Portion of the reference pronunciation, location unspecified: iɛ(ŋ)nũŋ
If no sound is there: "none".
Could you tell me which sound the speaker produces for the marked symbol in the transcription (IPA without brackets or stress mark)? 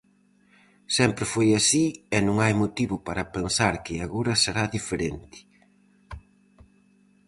none